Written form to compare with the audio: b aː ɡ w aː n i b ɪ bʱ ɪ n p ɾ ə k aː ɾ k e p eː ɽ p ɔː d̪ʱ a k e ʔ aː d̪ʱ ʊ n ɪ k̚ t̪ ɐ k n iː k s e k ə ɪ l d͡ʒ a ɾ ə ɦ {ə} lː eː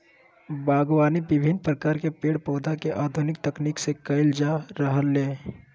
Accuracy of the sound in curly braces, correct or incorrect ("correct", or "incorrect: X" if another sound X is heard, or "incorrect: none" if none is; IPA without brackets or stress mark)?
correct